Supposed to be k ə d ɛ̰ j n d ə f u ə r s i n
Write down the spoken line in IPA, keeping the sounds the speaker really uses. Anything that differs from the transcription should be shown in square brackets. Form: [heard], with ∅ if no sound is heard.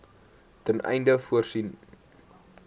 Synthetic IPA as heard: [t] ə [n] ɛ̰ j n d ə f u ə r s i n